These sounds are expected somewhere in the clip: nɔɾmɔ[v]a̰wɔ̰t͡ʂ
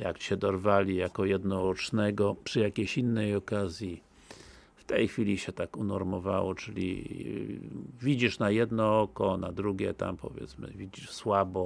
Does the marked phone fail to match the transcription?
no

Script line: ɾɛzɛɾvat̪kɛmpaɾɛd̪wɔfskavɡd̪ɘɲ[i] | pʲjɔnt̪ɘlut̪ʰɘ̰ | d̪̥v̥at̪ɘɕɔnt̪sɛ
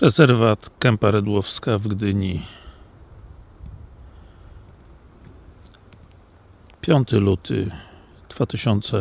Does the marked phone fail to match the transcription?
no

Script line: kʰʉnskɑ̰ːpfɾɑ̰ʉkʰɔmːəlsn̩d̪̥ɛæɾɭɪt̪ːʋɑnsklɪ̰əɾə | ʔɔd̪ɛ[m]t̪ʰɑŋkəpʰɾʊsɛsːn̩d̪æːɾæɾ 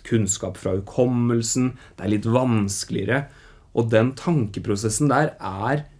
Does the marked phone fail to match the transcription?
yes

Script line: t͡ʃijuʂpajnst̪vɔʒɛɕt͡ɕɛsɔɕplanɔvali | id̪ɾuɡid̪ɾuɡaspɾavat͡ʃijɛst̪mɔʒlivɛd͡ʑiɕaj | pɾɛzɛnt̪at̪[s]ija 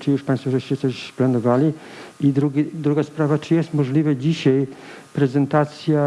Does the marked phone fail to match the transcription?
no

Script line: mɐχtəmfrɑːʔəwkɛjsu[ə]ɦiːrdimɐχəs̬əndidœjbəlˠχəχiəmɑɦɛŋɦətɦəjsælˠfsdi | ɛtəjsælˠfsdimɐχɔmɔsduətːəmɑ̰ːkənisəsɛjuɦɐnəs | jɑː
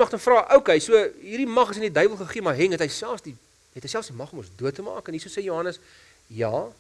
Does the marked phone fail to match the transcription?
no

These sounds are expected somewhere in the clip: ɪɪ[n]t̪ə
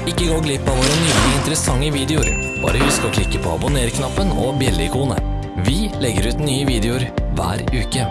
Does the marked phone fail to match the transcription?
no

